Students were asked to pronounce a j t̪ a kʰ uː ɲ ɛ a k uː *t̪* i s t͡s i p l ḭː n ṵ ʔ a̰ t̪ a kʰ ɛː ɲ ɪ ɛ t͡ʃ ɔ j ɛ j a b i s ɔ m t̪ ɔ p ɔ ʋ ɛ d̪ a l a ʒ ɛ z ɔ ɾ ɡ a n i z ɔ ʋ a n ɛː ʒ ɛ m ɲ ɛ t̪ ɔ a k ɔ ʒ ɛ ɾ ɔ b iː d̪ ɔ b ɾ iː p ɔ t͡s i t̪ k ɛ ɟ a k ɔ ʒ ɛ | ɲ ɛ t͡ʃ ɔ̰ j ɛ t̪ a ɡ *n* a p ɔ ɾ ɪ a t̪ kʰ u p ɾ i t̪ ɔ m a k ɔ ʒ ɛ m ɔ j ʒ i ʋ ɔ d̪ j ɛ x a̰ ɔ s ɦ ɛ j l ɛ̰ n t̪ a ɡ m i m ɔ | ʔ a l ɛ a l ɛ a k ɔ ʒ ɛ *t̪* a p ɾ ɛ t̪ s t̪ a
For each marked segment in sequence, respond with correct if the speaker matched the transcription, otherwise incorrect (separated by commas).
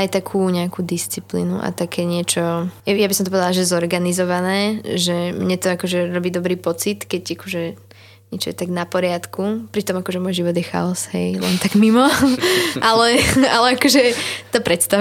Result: incorrect, correct, correct